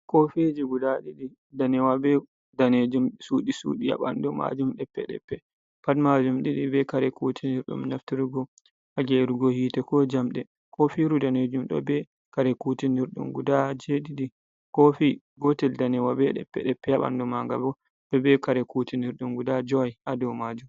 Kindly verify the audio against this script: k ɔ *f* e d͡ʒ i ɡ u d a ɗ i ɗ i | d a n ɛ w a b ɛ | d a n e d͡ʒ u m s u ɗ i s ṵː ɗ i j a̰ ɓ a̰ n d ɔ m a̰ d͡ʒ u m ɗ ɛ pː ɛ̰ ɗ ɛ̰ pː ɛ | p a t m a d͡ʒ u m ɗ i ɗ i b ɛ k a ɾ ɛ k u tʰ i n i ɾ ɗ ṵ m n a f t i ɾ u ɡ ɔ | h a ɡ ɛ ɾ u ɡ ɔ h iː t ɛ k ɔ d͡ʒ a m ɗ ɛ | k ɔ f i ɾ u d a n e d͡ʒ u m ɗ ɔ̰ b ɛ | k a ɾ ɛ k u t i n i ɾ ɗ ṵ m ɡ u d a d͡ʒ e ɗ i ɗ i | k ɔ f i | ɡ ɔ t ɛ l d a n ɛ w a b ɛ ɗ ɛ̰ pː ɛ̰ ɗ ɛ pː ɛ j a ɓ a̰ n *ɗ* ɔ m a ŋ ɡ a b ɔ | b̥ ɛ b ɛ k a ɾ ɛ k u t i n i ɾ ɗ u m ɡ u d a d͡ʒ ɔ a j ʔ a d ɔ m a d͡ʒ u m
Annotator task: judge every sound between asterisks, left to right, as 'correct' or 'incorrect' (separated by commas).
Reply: correct, incorrect